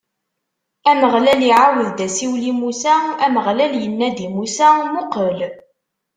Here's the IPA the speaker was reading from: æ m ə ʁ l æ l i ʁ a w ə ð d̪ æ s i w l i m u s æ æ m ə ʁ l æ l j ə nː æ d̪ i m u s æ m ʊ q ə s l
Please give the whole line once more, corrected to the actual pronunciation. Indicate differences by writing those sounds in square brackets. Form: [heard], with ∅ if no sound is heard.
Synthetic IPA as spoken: æ m ə ʁ l æ l i [ʕ] a w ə ð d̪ æ s i w l i m u s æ æ m ə ʁ l æ l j ə nː æ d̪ i m u s æ m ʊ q ə [∅] l